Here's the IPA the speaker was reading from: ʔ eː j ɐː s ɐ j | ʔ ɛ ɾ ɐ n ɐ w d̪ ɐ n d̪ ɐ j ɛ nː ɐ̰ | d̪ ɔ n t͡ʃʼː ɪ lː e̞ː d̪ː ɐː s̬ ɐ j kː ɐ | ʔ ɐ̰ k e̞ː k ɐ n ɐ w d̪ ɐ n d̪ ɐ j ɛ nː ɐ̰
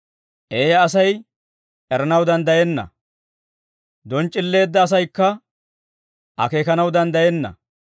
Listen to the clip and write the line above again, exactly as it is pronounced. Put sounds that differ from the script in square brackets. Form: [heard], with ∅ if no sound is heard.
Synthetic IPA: ʔ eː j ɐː s ɐ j | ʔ ɛ ɾ ɐ n ɐ w d̪ ɐ n d̪ ɐ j ɛ nː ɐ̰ | d̪ ɔ n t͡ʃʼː ɪ lː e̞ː d̪ː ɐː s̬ ɐ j kː ɐ | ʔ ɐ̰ k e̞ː k ɐ n ɐ w d̪ ɐ n d̪ ɐ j ɛ nː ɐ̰